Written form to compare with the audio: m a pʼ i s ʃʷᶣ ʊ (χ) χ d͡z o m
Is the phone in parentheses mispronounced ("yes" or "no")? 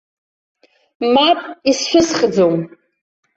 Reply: yes